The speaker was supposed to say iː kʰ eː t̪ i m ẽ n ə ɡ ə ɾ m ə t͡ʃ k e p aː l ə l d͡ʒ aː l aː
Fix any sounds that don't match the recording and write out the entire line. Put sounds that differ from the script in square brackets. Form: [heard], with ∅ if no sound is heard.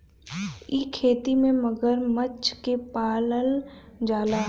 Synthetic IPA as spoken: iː kʰ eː t̪ i m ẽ [m] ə ɡ ə ɾ m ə t͡ʃ k e p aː l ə l d͡ʒ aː l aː